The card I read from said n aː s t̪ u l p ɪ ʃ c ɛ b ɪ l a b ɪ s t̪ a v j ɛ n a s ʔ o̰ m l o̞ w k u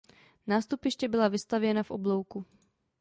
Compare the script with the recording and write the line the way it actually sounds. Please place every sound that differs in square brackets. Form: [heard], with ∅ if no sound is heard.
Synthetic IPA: n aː s t̪ u [∅] p ɪ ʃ c ɛ b ɪ l a [v] ɪ s t̪ a v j ɛ n a [f] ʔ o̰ [b] l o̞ w k u